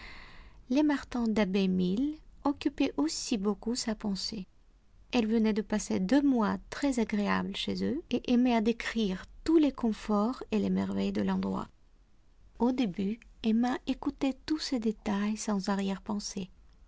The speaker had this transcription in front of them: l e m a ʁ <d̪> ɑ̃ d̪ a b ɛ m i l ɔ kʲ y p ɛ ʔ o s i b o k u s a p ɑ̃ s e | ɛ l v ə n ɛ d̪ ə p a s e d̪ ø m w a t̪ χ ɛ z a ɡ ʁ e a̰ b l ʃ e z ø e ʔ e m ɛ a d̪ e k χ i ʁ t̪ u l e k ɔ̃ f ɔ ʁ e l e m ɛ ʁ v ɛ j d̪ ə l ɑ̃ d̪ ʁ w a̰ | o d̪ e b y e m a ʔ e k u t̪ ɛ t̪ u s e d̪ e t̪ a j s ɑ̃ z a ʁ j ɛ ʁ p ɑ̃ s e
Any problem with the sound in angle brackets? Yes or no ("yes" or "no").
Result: yes